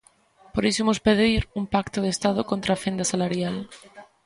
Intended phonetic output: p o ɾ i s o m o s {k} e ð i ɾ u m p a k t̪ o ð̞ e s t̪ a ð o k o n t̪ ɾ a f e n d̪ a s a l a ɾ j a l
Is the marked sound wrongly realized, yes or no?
yes